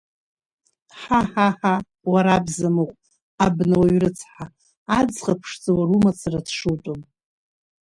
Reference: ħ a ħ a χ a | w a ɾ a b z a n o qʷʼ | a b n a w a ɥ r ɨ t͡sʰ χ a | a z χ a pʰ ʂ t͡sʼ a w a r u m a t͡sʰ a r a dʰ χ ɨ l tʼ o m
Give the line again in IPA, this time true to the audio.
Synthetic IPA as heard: ħ a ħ a ħ a | w a ɾ a b z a m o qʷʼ | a b n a w a ɥ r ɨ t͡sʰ ħ a | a d͡z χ a pʰ ʂ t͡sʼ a w a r u m a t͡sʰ a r a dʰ ʂ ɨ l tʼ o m